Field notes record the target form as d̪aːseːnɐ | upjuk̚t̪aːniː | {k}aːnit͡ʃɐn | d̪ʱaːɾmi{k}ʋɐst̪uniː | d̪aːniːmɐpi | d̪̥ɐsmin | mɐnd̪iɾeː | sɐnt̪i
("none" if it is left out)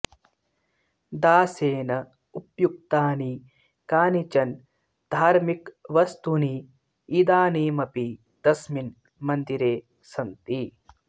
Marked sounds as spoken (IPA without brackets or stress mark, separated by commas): k, k